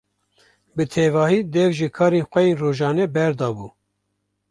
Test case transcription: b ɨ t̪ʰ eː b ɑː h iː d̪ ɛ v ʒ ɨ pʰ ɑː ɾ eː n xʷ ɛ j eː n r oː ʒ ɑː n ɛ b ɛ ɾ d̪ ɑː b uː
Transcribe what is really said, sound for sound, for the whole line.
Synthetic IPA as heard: b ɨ t̪ʰ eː v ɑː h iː d̪ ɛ v ʒ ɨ kʰ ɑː ɾ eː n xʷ ɛ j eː n r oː ʒ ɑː n ɛ b ɛ ɾ d̪ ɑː b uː